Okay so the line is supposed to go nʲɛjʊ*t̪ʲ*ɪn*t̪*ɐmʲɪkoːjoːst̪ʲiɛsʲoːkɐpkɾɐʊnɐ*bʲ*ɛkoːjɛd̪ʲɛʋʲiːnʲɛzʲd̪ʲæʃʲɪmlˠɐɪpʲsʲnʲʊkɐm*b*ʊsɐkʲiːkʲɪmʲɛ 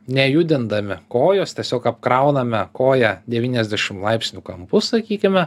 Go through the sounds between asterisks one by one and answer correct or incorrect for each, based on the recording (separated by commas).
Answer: incorrect, incorrect, incorrect, incorrect